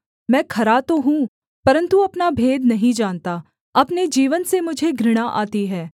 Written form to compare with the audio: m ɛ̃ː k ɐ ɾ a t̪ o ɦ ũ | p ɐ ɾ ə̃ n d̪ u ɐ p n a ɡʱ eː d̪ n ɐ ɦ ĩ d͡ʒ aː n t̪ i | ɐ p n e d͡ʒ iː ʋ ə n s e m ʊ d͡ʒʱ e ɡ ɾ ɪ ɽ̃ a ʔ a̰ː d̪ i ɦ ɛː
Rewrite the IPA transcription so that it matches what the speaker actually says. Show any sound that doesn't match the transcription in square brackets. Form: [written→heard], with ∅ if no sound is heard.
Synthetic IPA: m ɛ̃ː [k→kʰ] ɐ ɾ a t̪ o ɦ ũ | p ɐ ɾ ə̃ n [d̪→t̪] u ɐ p n a [ɡʱ→bʱ] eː d̪ n ɐ ɦ ĩ d͡ʒ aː n t̪ [i→a] | ɐ p n e d͡ʒ iː ʋ ə n s e m ʊ d͡ʒʱ e ɡ ɾ ɪ ɽ̃ a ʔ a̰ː [d̪→t̪] i ɦ ɛː

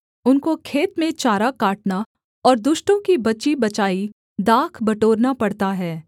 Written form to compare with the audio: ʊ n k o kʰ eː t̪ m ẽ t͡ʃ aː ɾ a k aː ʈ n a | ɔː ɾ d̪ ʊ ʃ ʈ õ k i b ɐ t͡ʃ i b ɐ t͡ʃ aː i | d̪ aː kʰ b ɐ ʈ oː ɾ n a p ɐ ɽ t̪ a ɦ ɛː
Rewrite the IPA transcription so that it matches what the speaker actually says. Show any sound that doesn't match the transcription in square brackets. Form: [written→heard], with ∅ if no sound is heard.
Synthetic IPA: ʊ n k o kʰ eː t̪ m ẽ t͡ʃ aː ɾ a k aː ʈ n a | ɔː ɾ d̪ ʊ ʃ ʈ õ k i b ɐ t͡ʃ i b ɐ t͡ʃ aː i | d̪ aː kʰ b ɐ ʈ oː ɾ n a p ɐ ɽ t̪ a ɦ ɛː

